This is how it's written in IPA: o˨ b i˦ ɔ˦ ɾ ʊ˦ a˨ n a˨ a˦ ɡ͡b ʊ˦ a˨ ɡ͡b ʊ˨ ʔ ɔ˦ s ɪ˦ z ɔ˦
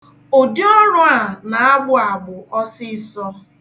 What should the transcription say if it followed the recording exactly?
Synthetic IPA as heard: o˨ d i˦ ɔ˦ ɾ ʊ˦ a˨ n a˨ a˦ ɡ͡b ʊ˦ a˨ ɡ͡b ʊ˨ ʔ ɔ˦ s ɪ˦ s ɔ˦